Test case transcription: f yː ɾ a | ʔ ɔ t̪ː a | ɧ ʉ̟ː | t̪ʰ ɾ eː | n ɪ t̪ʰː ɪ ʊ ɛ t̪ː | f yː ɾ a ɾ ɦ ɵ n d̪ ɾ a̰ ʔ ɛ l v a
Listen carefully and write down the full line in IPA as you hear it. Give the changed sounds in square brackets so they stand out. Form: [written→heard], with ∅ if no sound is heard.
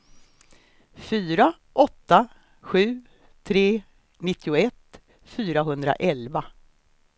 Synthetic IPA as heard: f yː ɾ a | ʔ ɔ t̪ː a | ɧ ʉ̟ː | t̪ʰ ɾ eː | n ɪ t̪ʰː ɪ ʊ ɛ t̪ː | f yː ɾ a [ɾ→∅] ɦ ɵ n d̪ ɾ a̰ ʔ ɛ l v a